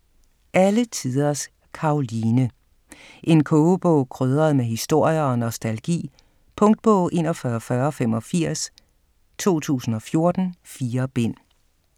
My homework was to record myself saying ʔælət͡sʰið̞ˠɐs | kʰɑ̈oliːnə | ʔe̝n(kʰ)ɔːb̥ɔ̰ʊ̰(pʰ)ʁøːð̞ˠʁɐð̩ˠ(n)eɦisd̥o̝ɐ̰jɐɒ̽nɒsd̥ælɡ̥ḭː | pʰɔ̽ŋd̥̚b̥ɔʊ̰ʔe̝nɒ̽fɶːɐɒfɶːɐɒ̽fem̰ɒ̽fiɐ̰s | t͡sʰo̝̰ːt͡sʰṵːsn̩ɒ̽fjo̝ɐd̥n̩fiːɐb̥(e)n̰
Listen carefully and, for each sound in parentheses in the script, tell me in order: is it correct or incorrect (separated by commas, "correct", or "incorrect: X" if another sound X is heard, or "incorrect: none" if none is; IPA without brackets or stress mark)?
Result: correct, incorrect: kʰ, incorrect: m, correct